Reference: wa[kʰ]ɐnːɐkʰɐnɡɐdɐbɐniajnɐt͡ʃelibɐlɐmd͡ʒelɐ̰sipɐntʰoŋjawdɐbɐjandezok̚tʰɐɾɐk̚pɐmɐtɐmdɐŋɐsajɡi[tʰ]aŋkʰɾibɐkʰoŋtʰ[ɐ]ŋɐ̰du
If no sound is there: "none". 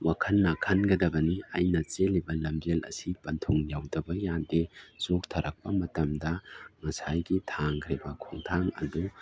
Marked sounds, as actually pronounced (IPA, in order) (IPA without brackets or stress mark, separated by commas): kʰ, tʰ, a